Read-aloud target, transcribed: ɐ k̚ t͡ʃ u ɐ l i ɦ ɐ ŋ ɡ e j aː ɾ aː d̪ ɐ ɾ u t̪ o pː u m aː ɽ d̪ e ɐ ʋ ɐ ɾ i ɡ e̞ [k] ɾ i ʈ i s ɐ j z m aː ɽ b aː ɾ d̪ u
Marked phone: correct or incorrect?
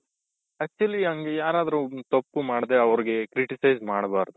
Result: correct